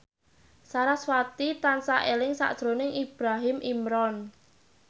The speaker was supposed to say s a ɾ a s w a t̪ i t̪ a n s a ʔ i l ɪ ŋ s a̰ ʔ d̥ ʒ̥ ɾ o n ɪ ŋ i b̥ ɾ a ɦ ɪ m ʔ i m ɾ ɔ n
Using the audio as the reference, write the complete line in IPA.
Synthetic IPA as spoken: s a ɾ a s w a t̪ i t̪ a n s a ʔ e l ɪ ŋ s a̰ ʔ d̥ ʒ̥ ɾ o n ɪ ŋ i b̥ ɾ a ɦ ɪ m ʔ i m ɾ ɔ n